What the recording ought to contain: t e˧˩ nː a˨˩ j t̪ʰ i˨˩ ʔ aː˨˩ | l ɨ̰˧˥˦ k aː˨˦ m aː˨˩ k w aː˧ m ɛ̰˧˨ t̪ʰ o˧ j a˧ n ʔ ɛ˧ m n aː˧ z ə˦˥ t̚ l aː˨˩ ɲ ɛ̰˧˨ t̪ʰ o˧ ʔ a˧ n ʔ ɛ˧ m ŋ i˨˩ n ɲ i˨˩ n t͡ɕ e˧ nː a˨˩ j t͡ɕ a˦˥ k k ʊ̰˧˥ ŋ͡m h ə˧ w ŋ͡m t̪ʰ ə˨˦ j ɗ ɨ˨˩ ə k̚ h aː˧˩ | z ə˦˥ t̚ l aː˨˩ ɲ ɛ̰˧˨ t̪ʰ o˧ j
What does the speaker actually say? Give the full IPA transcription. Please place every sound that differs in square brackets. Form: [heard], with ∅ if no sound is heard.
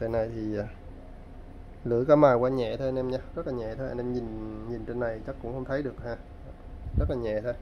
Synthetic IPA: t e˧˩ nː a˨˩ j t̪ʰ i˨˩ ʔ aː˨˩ | l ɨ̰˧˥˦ k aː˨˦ m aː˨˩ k w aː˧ [ɲ] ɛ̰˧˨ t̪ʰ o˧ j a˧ n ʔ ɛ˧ m [ɲ] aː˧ z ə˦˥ t̚ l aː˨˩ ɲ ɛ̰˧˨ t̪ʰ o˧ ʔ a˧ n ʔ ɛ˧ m [ɲ] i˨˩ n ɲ i˨˩ n t͡ɕ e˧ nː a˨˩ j t͡ɕ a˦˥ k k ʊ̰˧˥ ŋ͡m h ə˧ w ŋ͡m t̪ʰ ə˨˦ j ɗ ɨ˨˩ ə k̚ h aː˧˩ | z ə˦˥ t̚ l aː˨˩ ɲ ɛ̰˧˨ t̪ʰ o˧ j